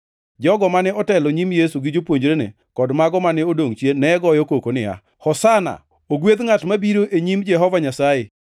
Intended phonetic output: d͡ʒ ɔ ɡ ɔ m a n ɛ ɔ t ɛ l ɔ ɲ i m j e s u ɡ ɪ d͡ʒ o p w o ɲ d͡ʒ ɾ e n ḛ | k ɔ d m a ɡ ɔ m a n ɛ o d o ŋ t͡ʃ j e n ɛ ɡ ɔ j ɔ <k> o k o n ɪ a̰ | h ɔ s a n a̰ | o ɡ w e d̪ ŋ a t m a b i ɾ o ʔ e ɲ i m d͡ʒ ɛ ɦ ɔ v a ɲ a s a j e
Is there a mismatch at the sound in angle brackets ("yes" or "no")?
no